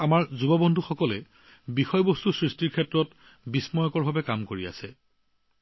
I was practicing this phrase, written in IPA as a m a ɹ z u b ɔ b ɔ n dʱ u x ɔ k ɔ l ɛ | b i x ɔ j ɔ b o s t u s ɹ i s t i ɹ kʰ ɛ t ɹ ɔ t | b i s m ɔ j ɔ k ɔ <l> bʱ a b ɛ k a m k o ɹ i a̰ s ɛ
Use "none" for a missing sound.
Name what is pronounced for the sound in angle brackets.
ɹ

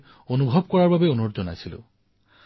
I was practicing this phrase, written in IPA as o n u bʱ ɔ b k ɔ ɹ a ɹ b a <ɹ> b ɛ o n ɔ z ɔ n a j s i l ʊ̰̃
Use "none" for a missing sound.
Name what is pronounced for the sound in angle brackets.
none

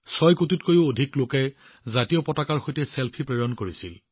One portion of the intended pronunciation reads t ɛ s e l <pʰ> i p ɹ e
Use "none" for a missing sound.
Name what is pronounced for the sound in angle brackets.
pʰ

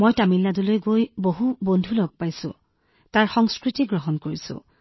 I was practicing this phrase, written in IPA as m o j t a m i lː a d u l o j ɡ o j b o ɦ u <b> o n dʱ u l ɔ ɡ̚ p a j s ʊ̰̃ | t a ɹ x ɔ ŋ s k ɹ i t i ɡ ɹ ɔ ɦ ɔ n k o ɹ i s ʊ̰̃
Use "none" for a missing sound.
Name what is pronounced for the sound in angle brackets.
b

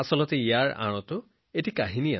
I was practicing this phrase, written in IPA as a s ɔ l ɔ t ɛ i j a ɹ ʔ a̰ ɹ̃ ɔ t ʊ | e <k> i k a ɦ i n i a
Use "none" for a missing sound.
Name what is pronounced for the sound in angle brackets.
t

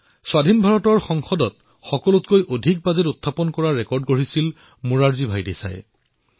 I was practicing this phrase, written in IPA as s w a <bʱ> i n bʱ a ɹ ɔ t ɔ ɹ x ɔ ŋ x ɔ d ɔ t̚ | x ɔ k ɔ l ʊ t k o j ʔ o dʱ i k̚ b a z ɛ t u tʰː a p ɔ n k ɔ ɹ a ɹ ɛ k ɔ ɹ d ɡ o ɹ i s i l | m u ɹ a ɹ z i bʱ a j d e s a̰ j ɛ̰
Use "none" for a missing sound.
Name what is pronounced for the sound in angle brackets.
dʱ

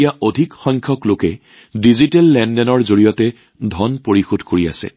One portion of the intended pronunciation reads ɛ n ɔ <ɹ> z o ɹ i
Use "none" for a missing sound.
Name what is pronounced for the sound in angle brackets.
ɹ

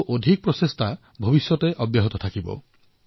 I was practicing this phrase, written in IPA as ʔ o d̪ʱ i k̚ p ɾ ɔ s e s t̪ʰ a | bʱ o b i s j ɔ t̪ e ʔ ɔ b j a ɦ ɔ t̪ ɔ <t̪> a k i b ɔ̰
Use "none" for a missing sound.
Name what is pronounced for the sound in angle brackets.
t̪ʰ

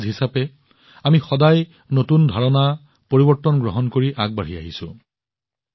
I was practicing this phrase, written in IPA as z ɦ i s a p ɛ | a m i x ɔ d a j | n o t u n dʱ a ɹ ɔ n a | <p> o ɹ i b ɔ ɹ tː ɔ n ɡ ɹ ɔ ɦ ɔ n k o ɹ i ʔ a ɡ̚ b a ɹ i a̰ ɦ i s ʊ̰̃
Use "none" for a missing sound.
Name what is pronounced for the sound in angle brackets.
p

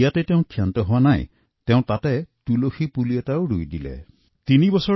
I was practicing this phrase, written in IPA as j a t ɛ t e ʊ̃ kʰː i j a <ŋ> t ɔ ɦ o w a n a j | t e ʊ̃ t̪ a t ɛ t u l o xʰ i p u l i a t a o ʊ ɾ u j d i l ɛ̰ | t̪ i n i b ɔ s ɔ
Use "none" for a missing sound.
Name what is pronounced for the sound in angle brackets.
n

